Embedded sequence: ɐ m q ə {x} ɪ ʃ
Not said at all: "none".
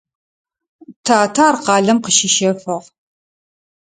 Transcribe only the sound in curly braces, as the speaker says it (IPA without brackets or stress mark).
ʃ